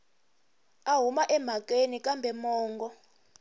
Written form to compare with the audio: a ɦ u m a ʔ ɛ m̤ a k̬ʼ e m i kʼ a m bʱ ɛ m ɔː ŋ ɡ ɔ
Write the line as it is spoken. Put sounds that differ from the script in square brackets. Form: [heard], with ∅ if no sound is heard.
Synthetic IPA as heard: a ɦ u m a ʔ ɛ m̤ a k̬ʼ e [n] i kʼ a m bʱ ɛ m ɔː ŋ ɡ ɔ